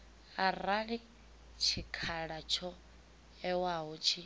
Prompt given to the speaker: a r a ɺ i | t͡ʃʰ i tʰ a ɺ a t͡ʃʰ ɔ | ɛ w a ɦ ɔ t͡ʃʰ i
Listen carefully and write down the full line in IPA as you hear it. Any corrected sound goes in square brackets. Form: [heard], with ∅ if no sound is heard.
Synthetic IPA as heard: a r a ɺ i | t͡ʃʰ i [kʰ] a ɺ a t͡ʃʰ ɔ | ɛ w a ɦ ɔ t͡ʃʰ i